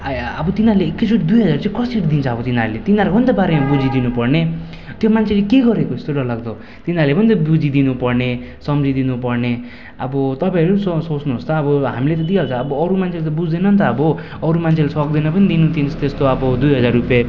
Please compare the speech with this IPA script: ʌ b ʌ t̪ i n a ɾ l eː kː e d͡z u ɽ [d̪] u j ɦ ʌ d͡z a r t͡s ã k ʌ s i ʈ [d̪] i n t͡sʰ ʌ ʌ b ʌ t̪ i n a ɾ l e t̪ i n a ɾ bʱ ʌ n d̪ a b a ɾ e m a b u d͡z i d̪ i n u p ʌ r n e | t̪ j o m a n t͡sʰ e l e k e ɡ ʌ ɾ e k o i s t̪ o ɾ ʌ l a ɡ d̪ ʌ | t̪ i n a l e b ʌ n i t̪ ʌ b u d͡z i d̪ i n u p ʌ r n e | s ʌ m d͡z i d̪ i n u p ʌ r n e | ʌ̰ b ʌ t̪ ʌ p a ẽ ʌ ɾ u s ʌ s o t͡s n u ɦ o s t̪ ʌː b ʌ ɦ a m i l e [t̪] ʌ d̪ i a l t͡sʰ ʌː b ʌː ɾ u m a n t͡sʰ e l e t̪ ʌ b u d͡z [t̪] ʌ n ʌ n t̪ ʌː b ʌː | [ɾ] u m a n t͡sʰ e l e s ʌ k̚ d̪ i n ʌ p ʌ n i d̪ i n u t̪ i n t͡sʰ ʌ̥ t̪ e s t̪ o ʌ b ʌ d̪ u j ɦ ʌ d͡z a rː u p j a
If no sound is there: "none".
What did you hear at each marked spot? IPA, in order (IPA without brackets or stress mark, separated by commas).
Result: d̪, d̪, t̪, d̪, ɾ